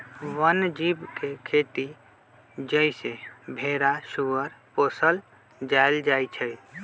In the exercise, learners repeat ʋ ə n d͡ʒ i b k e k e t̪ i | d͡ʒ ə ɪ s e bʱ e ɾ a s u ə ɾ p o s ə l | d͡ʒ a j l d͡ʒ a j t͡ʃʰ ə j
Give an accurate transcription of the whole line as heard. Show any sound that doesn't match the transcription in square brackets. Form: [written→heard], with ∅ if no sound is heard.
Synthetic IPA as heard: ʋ ə n d͡ʒ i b k e [k→kʰ] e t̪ i | d͡ʒ ə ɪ s e bʱ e ɾ a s u ə ɾ p o s ə l | d͡ʒ a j l d͡ʒ a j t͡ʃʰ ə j